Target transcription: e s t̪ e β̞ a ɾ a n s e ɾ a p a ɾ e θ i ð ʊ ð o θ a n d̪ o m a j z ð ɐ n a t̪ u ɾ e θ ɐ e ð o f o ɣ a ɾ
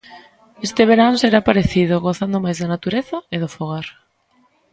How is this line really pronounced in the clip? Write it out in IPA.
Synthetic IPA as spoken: e s t̪ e β̞ e ɾ a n s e ɾ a p a ɾ e θ i ð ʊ ɣ o θ a n d̪ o m a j z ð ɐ n a t̪ u ɾ e θ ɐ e ð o f o ɣ a ɾ